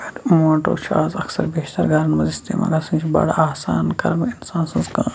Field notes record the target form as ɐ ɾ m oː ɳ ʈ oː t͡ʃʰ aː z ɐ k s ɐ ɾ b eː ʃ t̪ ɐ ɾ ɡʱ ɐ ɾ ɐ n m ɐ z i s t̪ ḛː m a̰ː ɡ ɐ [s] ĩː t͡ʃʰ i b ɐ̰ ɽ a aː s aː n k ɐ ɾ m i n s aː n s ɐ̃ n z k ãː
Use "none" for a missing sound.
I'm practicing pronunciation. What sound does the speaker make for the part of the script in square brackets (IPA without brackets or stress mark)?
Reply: s